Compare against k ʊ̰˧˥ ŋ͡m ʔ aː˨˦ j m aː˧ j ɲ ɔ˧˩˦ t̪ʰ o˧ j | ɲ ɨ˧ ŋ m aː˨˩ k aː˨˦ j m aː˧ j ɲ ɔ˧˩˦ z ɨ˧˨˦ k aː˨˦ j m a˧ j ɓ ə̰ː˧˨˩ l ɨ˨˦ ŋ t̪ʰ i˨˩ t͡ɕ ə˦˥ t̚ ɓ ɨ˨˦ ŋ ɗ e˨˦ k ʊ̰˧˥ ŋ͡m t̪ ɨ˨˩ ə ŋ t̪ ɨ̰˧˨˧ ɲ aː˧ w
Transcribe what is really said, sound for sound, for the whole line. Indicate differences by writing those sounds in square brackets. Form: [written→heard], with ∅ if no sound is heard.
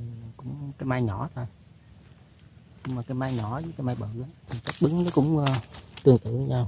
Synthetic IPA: k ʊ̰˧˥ ŋ͡m [ʔ→k] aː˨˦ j m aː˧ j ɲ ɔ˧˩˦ t̪ʰ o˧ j | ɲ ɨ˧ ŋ m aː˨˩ k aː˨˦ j m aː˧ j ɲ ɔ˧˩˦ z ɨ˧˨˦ k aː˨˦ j m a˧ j ɓ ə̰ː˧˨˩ l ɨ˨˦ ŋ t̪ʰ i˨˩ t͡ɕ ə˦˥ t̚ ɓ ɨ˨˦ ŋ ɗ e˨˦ k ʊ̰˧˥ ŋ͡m t̪ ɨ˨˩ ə ŋ t̪ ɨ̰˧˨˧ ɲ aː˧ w